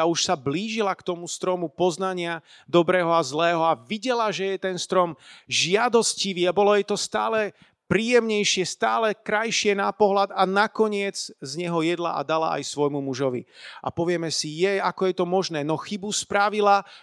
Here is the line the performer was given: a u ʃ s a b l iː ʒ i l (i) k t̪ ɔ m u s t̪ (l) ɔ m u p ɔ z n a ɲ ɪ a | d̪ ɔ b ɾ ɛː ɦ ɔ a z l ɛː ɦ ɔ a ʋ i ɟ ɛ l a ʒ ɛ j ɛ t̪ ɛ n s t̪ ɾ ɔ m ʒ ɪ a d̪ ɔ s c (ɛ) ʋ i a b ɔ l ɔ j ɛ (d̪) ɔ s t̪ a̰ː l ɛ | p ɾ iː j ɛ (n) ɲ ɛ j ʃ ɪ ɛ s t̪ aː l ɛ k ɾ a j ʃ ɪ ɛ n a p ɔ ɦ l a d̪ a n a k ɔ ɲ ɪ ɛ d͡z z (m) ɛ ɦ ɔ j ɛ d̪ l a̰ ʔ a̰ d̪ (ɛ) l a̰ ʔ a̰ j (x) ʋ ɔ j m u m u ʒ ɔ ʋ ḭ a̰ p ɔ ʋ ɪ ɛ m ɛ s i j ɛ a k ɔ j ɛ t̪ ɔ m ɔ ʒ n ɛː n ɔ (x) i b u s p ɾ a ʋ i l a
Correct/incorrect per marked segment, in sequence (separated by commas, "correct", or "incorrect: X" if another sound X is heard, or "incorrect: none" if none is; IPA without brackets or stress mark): incorrect: a, incorrect: ɾ, incorrect: i, incorrect: t̪, incorrect: m, incorrect: ɲ, incorrect: a, incorrect: s, correct